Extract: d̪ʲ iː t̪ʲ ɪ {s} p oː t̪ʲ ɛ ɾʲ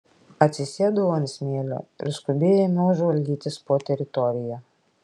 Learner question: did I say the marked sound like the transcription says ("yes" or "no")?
yes